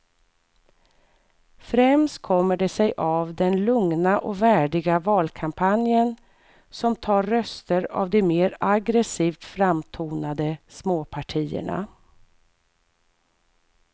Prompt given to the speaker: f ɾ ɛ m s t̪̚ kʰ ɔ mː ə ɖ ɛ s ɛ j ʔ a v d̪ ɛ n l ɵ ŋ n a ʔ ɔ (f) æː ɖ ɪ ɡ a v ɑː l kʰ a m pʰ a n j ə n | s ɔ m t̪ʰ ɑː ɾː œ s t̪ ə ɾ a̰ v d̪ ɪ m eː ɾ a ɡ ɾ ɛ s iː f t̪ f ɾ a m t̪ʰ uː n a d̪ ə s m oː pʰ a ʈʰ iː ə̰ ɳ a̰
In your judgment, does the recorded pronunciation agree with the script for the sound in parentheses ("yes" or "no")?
no